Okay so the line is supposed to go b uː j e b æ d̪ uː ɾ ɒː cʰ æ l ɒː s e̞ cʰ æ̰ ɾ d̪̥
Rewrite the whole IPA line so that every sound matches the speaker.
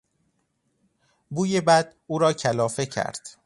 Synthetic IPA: b uː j e b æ d̪ uː ɾ ɒː cʰ æ l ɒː f e̞ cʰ æ̰ ɾ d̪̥